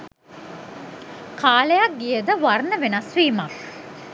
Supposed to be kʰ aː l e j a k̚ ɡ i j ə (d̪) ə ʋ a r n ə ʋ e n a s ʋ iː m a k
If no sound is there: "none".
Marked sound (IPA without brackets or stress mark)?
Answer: d̪